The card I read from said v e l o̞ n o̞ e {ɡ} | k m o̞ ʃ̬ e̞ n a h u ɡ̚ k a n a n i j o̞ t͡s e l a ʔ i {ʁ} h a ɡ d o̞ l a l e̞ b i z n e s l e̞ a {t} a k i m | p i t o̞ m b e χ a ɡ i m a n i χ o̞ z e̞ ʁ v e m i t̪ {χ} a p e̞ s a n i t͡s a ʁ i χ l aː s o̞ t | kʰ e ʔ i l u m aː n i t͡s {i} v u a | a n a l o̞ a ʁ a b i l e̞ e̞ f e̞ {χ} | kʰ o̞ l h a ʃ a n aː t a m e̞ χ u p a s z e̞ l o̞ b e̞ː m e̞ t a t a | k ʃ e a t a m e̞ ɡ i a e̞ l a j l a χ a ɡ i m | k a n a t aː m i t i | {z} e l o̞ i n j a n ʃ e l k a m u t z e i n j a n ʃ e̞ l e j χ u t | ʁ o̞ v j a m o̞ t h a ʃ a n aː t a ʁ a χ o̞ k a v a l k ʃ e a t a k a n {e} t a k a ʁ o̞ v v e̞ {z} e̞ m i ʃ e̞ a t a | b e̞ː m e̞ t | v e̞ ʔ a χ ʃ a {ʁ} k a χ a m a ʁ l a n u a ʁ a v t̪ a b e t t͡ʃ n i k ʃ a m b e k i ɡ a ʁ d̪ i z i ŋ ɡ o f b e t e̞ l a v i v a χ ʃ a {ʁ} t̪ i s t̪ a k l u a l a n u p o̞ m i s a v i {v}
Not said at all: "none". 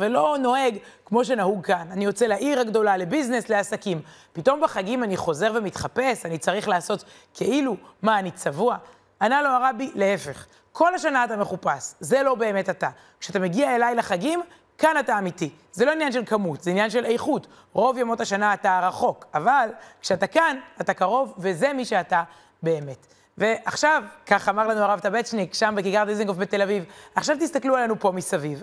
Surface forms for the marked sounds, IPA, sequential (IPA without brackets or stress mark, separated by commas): ɡ, ʁ, s, χ, a, χ, z, a, z, v, v, v